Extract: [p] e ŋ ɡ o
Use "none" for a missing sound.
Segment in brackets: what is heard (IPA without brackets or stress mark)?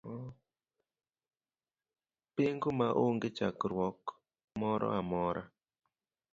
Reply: p